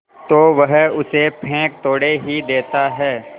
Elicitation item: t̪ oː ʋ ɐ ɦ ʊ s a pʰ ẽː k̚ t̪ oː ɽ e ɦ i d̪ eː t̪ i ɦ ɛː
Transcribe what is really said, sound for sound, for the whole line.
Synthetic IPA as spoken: t̪ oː ʋ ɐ ɦ ʊ s e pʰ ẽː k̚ t̪ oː ɽ e ɦ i d̪ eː t̪ a ɦ ɛː